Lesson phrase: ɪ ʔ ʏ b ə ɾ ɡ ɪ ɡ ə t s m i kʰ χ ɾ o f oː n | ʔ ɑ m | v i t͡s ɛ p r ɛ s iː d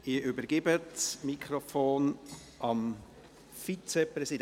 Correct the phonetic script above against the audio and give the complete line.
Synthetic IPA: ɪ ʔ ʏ b ə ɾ ɡ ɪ b ə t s m i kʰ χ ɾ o f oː n | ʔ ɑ m | f i t͡s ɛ p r ɛ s i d